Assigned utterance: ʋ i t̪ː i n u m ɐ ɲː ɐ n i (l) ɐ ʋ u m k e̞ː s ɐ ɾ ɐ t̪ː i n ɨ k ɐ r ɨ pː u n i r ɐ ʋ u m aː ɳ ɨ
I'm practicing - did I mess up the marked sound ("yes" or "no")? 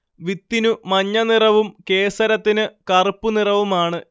yes